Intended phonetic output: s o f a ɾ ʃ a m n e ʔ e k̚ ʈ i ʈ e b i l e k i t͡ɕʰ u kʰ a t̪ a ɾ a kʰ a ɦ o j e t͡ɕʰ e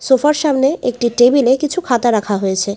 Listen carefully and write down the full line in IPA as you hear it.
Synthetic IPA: s o f a ɾ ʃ a m n e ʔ e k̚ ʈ i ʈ e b i l e k i t͡ɕʰ u kʰ a t̪ a ɾ a kʰ a ɦ o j e t͡ɕʰ e